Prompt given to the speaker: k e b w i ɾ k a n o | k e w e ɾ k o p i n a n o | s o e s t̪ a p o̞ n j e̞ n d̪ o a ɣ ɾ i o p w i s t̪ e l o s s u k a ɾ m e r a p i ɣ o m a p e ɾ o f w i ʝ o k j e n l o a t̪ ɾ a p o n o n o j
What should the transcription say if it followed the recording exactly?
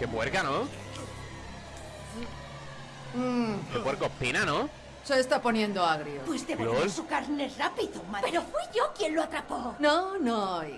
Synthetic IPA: k e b w e ɾ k a n o | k e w e ɾ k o p i n a n o | s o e s t̪ a p o̞ n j e̞ n d̪ o a ɣ ɾ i o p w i s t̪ e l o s s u k a ɾ n e r a p i ð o m a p e ɾ o f w i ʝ o k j e n l o a t̪ ɾ a p o n o n o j

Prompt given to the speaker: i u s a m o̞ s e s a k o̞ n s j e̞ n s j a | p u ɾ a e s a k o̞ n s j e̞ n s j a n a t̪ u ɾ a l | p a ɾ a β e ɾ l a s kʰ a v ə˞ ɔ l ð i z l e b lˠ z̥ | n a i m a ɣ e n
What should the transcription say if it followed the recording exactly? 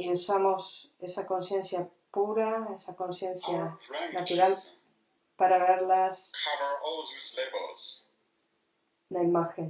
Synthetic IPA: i u s a m o̞ s e s a k o̞ n s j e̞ n s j a | p u ɾ a e s a k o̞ n s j e̞ n s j a n a t̪ u ɾ a l | p a ɾ a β e ɾ l a s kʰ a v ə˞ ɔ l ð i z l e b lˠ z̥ | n a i m a x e n

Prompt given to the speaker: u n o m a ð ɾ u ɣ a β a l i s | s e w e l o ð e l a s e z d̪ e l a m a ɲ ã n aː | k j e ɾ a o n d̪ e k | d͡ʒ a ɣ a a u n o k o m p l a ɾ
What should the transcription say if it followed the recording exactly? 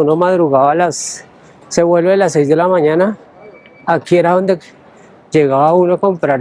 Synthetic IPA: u n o m a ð ɾ u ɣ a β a l a s | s e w e l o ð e l a s e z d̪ e l a m a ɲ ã n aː | k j e ɾ a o n d̪ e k | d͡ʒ e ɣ a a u n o k o m p ɾ a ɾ

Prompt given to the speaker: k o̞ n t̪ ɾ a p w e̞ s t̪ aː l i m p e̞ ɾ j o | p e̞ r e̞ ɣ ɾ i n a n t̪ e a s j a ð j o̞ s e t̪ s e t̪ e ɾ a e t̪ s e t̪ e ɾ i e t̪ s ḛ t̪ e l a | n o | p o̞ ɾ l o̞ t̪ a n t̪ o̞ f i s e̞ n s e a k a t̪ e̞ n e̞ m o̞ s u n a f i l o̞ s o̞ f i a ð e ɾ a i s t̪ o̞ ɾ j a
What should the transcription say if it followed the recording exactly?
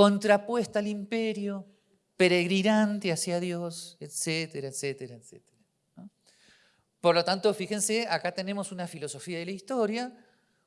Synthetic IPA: k o̞ n t̪ ɾ a p w e̞ s t̪ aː l i m p e̞ ɾ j o | p e̞ ɾ e̞ ɣ ɾ i n a n t̪ e a s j a ð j o̞ s e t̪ s e t̪ e ɾ a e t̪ s e t̪ e ɾ a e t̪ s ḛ t̪ e ɾ a | n o | p o̞ ɾ l o̞ t̪ a n t̪ o̞ f i x e̞ n s e a k a t̪ e̞ n e̞ m o̞ s u n a f i l o̞ s o̞ f i a ð e l a i s t̪ o̞ ɾ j a

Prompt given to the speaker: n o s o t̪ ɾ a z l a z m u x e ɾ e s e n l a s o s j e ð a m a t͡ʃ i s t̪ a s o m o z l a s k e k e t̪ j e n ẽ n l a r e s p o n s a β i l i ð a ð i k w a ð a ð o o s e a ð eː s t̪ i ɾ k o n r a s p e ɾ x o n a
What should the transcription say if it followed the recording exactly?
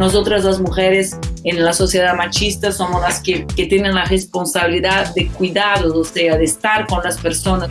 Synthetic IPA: n o s o t̪ ɾ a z l a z m u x e ɾ e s e n l a s o s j e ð a m a t͡ʃ i s t̪ a s o m o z l a s k e k e t̪ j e n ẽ n l a r e s p o n s a β i l i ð a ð e k w i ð a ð o o s e a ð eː s t̪ a ɾ k o n l a s p e ɾ s o n a

